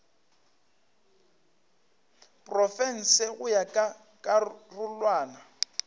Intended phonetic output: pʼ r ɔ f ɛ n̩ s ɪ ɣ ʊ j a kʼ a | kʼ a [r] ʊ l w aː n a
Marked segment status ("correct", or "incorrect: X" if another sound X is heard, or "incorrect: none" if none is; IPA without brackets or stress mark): correct